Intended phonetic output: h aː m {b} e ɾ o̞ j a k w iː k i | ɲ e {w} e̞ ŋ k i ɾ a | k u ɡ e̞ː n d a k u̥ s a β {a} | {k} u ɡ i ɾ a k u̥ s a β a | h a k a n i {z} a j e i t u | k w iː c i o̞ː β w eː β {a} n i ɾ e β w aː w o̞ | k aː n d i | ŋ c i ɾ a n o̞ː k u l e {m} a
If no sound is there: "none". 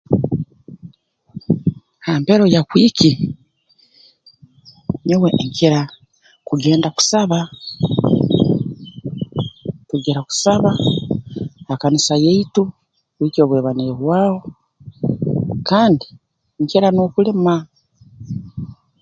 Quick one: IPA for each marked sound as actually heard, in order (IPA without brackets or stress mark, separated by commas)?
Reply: p, w, a, t, s, a, m